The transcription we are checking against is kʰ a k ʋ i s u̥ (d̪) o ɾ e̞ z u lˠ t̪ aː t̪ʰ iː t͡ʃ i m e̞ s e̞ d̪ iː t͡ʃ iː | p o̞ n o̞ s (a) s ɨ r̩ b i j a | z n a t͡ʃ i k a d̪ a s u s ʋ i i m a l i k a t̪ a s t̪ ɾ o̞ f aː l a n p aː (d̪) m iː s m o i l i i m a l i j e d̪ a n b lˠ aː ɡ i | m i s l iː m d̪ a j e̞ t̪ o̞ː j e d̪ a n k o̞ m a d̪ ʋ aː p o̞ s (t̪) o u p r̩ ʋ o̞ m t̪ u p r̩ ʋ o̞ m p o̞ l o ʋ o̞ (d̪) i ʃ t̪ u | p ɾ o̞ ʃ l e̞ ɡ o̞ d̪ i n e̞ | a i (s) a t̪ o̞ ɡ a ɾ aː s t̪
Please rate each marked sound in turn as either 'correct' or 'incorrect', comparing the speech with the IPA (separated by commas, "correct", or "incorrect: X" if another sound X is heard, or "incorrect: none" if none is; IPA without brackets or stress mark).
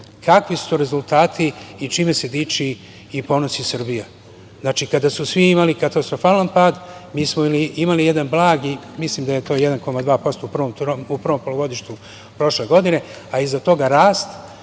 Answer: incorrect: t̪, incorrect: i, correct, correct, correct, incorrect: z